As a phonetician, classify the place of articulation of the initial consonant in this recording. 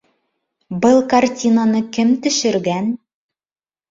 labial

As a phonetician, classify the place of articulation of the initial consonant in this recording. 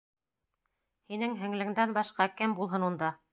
glottal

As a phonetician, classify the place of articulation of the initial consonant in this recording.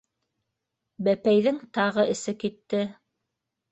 labial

